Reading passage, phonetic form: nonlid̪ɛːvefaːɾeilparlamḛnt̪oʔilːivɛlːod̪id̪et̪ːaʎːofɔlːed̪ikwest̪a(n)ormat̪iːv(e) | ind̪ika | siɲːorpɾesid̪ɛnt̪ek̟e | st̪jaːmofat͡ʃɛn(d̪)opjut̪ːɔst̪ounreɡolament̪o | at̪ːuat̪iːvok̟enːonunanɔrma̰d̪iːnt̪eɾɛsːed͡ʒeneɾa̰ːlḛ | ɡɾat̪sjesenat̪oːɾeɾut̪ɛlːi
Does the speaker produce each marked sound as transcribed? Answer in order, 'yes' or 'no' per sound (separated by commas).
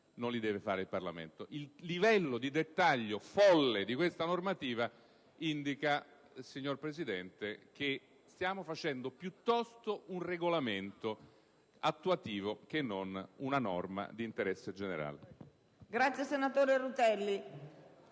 yes, no, yes